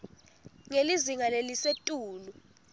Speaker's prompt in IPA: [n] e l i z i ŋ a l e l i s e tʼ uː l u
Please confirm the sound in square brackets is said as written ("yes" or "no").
no